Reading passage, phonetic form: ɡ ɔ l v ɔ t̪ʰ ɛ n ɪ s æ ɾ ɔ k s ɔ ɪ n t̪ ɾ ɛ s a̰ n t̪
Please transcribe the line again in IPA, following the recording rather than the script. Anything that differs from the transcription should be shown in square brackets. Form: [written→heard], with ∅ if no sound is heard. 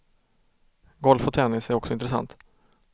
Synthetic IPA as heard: ɡ ɔ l [v→f] ɔ t̪ʰ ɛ n ɪ s æ ɾ ɔ k s ɔ ɪ n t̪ ɾ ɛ s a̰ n t̪